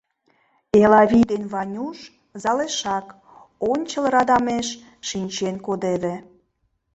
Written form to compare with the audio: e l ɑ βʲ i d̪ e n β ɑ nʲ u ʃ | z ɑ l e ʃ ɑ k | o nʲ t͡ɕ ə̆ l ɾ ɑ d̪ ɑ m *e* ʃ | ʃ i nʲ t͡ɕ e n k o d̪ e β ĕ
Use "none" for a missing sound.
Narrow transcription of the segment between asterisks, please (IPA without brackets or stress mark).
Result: e